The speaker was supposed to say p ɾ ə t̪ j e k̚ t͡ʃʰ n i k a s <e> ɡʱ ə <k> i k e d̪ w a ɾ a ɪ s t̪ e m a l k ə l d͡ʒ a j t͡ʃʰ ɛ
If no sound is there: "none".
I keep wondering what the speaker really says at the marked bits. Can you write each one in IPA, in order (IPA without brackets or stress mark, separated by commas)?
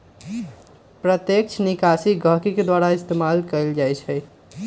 i, k